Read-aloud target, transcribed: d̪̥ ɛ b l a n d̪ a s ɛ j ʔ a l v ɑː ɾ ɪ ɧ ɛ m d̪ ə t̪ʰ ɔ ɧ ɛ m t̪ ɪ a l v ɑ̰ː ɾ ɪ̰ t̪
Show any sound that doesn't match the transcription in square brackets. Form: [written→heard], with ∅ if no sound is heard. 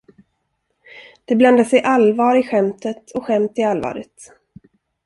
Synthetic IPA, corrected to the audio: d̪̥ ɛ b l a n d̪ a s ɛ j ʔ a l v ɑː ɾ ɪ ɧ ɛ m [d̪→t̪] ə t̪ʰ ɔ ɧ ɛ m t̪ ɪ a l v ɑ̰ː ɾ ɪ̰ t̪